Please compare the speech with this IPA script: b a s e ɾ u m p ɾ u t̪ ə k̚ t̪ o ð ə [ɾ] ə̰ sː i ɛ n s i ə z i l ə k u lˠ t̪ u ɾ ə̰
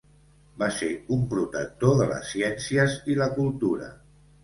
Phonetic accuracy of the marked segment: incorrect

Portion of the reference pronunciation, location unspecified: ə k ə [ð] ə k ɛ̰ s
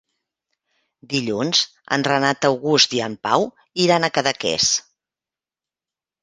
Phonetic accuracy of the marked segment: correct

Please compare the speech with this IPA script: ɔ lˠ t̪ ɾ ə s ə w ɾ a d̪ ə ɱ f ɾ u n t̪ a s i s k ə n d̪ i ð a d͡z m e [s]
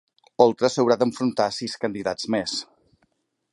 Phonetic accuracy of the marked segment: correct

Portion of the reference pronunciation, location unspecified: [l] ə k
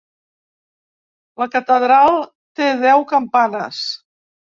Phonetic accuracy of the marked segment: correct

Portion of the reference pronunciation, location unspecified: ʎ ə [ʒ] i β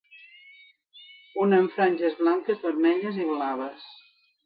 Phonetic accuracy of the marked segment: incorrect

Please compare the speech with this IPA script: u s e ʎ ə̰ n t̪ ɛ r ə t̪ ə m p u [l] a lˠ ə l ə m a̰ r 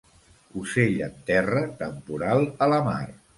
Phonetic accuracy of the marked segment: incorrect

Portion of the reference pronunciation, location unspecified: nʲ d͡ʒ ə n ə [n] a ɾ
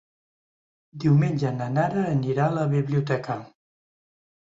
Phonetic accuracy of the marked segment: correct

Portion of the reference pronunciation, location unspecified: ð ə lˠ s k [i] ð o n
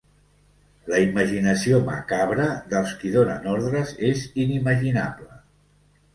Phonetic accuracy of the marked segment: correct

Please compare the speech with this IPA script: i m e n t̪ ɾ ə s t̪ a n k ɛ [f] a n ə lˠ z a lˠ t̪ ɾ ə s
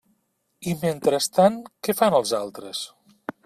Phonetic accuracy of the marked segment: correct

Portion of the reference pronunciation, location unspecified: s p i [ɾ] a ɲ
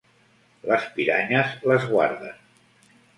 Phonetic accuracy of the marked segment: correct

